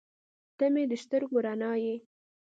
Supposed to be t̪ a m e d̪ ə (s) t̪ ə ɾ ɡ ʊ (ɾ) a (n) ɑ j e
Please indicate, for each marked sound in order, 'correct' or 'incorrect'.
incorrect, correct, correct

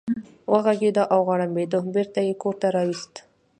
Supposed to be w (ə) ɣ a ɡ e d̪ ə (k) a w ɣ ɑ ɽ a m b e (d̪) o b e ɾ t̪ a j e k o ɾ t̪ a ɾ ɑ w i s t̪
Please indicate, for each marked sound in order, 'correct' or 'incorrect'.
correct, incorrect, correct

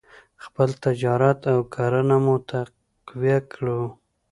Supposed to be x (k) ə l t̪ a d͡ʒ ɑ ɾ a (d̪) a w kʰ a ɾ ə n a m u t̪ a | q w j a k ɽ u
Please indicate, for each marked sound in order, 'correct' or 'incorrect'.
incorrect, incorrect

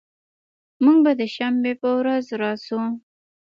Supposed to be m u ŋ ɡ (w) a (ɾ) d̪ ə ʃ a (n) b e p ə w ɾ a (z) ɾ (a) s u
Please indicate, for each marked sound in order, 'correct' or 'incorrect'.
incorrect, incorrect, incorrect, correct, incorrect

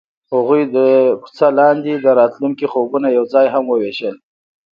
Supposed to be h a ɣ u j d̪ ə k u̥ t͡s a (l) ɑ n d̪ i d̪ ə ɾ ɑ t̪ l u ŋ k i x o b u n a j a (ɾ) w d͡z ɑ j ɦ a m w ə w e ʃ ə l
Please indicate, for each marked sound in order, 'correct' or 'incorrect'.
correct, incorrect

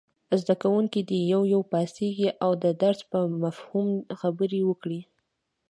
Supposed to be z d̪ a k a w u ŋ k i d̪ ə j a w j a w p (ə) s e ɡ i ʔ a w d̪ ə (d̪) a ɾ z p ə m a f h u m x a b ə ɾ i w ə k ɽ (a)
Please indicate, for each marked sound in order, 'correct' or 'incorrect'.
incorrect, correct, incorrect

